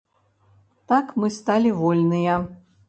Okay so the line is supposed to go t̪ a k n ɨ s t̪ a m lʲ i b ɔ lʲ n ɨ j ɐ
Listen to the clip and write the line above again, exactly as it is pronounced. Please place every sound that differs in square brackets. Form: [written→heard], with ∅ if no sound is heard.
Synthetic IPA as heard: t̪ a k [n→m] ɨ s t̪ a [m→∅] lʲ i [b→v] ɔ lʲ n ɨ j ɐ